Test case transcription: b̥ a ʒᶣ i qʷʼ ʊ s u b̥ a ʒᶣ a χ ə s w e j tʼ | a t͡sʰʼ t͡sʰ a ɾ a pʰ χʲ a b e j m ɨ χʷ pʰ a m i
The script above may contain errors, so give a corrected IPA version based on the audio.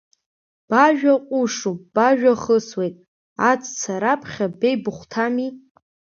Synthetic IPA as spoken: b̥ a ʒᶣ a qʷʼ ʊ ʂ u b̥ a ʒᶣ a χ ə s w e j tʼ | a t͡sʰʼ t͡sʰ a ɾ a pʰ χʲ a b e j b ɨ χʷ tʰ a m i

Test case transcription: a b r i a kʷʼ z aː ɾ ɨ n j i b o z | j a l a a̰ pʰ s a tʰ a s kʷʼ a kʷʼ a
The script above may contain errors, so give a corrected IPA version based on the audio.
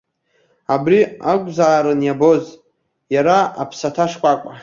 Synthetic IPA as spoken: a b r i a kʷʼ z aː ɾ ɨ n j a b o z | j a ɾ a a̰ pʰ s a tʰ a ʂ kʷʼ a kʷʼ a

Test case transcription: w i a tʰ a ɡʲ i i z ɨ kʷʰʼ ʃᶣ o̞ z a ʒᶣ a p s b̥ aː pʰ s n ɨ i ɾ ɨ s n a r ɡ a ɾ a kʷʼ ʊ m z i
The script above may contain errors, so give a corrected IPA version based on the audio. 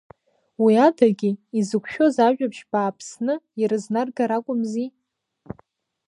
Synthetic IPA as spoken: w i a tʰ a ɡʲ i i z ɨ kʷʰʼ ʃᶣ o̞ z a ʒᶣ a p ʃ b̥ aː pʰ s n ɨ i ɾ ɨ z n a r ɡ a ɾ a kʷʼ ʊ m z i

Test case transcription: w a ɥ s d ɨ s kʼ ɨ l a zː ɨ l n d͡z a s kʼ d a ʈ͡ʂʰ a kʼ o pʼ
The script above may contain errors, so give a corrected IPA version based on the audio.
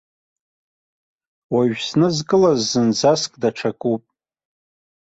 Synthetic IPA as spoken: w a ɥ s n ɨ z kʼ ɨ l a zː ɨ n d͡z a s kʼ d a ʈ͡ʂʰ a kʼ u pʼ

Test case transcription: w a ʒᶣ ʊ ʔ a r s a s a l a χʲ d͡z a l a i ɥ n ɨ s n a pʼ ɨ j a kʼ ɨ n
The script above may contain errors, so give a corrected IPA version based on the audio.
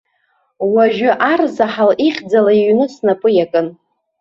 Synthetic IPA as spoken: w a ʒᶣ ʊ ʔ a r z a ħ a l i χʲ d͡z a l a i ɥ n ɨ s n a pʼ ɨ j a kʼ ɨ n

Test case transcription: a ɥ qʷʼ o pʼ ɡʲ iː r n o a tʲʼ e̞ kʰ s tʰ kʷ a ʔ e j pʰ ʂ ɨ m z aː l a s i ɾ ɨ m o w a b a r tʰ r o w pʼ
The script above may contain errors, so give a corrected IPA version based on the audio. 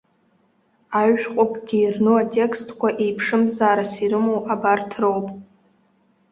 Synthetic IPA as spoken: a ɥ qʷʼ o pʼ ɡʲ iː r n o a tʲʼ e̞ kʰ s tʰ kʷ a ʔ e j pʰ ʂ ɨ m z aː ɾ a s i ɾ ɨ m o w a b a r tʰ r o w pʼ

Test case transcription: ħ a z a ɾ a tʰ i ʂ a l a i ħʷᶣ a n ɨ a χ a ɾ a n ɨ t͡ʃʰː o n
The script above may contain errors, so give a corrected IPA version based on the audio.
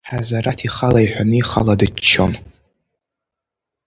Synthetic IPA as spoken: ħ a z a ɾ a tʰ i χ a l a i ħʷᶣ a n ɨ i χ a l a d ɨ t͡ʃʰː o n

